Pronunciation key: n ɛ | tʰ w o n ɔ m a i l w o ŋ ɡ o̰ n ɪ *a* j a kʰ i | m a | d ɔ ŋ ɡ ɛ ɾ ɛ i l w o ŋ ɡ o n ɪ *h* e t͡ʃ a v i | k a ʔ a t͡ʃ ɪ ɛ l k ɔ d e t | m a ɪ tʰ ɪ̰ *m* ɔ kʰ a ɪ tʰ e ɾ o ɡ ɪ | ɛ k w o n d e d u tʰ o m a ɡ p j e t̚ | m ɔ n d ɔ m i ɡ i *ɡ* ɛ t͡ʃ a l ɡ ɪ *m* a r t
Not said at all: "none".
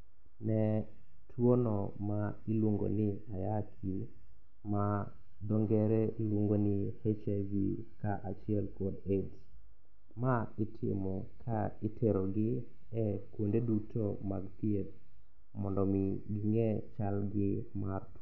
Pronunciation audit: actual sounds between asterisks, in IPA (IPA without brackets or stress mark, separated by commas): a, h, m, ŋ, m